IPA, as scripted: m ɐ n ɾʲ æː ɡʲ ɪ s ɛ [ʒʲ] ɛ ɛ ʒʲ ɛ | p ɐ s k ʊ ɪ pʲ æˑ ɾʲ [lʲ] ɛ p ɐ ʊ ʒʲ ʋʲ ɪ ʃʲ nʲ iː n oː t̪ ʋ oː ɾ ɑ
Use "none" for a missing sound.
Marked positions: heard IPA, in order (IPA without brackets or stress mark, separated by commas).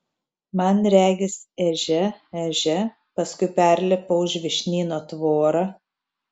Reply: ʒʲ, lʲ